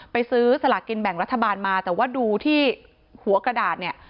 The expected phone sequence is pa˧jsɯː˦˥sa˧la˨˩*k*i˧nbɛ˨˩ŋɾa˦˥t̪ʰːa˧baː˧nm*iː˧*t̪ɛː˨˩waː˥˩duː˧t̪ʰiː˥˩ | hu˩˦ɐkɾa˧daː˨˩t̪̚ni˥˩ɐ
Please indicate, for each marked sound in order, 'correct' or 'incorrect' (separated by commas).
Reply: correct, incorrect